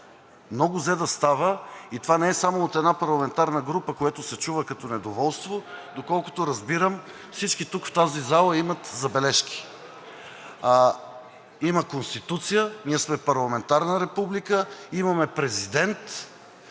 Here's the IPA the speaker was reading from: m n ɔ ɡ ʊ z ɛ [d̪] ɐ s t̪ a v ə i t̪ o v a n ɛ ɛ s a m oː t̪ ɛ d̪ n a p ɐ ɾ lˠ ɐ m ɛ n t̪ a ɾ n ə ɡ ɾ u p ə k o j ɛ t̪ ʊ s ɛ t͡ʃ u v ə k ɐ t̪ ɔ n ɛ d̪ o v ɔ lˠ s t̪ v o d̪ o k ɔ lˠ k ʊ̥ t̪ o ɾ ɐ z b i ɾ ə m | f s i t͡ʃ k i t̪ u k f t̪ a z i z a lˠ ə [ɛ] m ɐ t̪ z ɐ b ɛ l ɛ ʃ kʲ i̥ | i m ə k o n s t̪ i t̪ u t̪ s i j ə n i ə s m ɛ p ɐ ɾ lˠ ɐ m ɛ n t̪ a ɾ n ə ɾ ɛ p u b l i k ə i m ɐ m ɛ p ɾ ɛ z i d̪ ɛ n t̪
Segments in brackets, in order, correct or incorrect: correct, incorrect: i

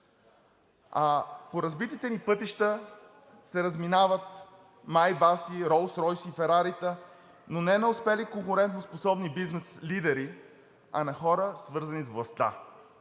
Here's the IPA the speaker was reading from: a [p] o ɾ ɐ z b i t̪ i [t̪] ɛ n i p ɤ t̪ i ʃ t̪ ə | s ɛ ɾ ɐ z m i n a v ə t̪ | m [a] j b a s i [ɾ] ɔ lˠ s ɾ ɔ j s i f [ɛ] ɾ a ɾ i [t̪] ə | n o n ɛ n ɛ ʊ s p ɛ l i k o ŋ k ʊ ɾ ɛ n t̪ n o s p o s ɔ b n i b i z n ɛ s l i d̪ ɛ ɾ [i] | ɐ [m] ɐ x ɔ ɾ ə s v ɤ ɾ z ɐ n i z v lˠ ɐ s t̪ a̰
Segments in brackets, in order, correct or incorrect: correct, correct, correct, correct, correct, correct, correct, incorrect: n

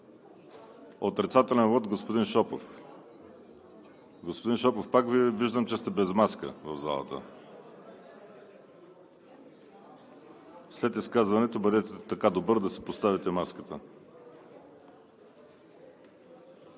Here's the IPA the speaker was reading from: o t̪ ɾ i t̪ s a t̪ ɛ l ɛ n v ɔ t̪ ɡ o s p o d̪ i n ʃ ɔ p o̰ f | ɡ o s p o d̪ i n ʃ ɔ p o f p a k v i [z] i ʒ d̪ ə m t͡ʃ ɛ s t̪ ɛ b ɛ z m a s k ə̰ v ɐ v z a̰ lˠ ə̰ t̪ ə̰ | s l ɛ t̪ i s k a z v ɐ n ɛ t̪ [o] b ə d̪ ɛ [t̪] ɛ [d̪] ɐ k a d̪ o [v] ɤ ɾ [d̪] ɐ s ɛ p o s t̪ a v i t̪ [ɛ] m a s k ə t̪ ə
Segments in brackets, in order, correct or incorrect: incorrect: v, correct, correct, incorrect: t̪, incorrect: b, correct, correct

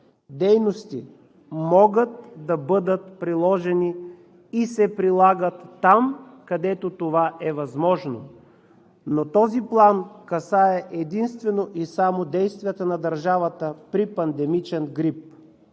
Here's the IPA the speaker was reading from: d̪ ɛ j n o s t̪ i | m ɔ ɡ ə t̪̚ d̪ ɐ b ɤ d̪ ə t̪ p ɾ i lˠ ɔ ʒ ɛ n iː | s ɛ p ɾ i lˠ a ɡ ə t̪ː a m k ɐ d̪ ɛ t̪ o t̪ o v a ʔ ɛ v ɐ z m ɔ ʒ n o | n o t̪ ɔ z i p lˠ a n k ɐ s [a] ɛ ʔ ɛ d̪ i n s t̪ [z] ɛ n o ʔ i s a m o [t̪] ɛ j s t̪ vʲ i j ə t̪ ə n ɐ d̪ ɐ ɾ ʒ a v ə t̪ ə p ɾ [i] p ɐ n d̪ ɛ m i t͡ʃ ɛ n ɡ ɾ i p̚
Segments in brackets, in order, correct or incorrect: correct, incorrect: v, incorrect: d̪, correct

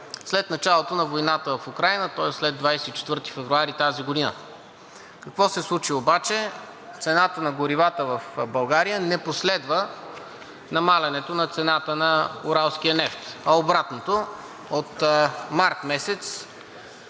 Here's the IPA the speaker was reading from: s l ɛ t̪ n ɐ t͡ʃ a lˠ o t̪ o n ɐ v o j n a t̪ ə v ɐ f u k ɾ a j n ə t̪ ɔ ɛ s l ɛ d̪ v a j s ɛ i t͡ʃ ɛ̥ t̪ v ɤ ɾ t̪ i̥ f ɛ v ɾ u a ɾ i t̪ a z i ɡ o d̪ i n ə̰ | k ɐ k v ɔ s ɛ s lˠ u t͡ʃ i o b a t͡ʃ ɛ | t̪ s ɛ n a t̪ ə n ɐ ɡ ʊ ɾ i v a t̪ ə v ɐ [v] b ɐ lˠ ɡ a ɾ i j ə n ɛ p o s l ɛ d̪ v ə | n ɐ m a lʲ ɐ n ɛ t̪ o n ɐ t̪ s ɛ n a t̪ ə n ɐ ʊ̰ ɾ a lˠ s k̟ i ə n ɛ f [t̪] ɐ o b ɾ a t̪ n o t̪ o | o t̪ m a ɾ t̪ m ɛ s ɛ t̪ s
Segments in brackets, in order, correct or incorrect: incorrect: f, correct

